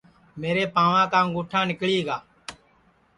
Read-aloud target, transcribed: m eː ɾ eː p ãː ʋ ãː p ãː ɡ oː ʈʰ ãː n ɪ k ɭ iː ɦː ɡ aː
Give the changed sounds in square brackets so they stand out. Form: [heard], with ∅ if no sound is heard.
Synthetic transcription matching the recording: m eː ɾ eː p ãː ʋ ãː [k] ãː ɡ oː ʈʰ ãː n ɪ k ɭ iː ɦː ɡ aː